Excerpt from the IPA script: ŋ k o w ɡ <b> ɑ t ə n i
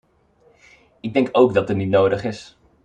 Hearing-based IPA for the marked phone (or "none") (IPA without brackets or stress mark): d